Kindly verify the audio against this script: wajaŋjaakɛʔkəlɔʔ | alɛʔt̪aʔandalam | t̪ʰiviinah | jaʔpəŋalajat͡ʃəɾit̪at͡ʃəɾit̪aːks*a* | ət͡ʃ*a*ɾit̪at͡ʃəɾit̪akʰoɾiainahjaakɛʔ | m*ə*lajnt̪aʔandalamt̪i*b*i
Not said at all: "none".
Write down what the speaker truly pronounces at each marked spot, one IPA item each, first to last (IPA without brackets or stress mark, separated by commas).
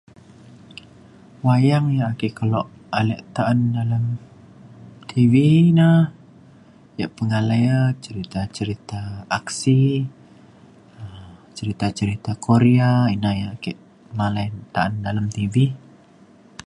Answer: i, ə, a, v